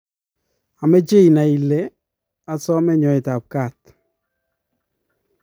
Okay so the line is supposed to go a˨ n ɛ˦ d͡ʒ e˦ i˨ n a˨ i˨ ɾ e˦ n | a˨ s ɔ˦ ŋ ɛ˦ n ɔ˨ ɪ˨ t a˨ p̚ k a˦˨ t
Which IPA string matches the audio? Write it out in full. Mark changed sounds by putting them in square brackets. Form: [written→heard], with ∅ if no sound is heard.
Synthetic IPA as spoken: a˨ [n→m] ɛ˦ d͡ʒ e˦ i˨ n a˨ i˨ [ɾ→l] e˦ [n→∅] | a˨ s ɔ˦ [ŋ→m] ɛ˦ [n→ɲ] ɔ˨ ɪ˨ t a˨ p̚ k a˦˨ t

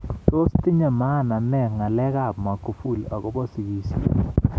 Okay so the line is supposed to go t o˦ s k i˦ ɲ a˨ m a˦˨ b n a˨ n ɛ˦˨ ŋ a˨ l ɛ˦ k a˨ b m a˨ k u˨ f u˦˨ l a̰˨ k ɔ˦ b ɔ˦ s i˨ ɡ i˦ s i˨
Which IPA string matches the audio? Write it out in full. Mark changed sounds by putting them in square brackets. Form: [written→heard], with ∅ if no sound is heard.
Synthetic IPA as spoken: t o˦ s [k→t] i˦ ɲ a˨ m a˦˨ [b→∅] n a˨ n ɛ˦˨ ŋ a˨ l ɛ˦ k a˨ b m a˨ k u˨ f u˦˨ l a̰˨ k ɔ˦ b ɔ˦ s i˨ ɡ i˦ s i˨

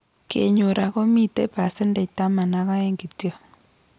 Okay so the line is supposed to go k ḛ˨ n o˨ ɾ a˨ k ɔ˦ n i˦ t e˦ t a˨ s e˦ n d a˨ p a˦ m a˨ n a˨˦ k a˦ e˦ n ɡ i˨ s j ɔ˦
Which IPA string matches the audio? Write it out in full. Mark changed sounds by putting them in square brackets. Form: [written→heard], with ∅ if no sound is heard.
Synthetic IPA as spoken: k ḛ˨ [n→ɲ] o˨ ɾ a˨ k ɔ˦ [n→m] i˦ t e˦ [t→p] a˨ s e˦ n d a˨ [p→t] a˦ m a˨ n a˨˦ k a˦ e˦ [n→ŋ] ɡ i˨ [s→t] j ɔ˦

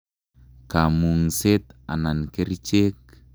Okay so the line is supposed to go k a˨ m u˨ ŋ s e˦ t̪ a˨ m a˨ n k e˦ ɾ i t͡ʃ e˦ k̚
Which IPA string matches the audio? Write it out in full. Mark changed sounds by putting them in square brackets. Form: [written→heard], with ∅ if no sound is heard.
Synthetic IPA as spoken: k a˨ m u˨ ŋ s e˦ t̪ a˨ [m→n] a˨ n k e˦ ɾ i t͡ʃ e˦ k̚

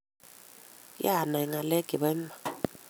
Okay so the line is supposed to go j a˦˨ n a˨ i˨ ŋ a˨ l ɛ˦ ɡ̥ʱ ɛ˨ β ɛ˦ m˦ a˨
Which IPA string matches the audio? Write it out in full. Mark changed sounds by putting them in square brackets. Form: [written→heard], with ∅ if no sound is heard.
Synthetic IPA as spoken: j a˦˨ n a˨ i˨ ŋ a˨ l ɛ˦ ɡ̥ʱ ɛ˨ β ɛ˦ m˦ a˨

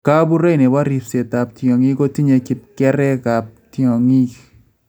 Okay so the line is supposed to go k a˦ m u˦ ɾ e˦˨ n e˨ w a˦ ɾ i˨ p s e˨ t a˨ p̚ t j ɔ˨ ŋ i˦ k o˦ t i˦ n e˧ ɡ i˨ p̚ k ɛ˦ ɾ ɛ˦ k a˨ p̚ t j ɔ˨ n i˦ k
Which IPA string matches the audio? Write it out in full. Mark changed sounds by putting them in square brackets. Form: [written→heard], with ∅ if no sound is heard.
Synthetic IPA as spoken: k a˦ [m→b] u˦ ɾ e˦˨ n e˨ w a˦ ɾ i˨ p s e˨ t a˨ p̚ t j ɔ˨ ŋ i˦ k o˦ t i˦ [n→ɲ] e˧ [ɡ→k] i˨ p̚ k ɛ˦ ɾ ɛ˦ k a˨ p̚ t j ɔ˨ [n→ŋ] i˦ k

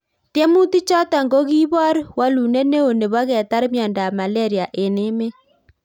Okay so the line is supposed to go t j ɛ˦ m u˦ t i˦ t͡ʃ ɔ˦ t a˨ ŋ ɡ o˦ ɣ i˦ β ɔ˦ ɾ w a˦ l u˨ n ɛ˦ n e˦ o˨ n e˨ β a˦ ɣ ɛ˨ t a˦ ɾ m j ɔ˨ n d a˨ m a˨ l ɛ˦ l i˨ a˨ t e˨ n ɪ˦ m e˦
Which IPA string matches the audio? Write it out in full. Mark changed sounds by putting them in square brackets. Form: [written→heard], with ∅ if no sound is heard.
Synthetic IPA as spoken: t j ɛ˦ m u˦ t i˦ t͡ʃ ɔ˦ t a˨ ŋ ɡ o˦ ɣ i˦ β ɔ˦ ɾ w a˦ l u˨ n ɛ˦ n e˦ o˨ n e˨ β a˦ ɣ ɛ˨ t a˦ ɾ m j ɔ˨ n d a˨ m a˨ l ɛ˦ [l→ɾ] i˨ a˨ [t→ʔ] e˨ n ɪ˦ m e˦

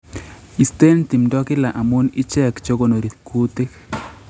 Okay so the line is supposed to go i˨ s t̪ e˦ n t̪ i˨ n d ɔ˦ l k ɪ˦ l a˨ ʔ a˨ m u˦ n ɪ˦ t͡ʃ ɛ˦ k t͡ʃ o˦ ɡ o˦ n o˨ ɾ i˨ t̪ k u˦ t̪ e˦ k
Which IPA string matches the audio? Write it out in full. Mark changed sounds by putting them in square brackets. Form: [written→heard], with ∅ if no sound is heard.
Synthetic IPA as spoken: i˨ s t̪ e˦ n t̪ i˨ [n→m] d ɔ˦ [l→∅] k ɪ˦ l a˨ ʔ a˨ m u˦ n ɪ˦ t͡ʃ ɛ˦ k t͡ʃ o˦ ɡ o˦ n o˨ ɾ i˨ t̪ k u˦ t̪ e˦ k

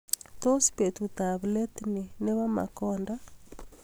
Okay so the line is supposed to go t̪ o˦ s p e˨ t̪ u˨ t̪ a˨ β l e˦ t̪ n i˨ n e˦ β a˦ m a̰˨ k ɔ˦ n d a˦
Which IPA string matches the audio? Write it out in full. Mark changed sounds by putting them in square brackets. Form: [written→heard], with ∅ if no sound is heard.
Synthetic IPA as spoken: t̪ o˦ s p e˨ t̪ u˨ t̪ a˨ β l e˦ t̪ n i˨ n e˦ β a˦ m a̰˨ k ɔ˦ n d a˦

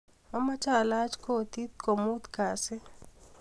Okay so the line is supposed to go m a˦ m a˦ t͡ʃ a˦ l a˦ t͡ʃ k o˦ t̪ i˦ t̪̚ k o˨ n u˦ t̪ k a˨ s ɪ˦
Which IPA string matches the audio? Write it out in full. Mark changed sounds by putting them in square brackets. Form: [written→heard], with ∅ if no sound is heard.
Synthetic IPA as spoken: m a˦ m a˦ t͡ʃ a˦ l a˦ t͡ʃ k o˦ t̪ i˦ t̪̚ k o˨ [n→m] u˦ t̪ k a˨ s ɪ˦

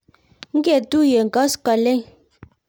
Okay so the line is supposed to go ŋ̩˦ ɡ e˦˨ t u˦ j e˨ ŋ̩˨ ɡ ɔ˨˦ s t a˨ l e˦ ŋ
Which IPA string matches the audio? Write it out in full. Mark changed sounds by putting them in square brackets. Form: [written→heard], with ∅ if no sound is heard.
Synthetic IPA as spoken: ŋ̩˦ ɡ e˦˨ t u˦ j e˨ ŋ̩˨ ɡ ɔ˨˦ s [t→k] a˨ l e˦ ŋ

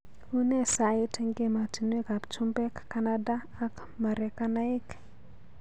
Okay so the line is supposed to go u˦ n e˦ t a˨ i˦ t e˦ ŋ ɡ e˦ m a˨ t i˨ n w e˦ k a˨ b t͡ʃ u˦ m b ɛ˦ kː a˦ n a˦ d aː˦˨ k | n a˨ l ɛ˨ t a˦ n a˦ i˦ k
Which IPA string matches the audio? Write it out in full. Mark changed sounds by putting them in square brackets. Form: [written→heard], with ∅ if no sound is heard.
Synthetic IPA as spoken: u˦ n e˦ [t→s] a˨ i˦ t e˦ ŋ ɡ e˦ m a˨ t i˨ n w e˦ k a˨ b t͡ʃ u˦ m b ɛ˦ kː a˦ n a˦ d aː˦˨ k | [n→m] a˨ [l→ɾ] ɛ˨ [t→k] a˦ n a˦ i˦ k

